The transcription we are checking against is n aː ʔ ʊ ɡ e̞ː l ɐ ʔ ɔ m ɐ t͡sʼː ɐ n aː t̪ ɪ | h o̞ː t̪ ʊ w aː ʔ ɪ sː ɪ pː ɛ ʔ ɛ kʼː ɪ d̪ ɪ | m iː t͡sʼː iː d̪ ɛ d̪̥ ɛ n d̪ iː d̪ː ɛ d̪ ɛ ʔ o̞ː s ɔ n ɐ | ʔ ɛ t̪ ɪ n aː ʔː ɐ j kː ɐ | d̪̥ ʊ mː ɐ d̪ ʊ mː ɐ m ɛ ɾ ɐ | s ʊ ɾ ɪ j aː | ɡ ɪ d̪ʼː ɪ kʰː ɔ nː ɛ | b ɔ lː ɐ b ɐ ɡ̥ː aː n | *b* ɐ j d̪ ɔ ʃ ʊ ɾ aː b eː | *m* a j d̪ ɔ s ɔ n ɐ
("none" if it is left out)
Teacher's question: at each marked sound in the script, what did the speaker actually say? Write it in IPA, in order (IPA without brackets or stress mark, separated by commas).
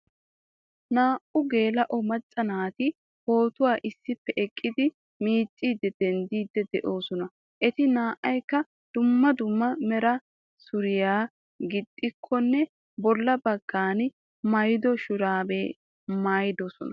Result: m, m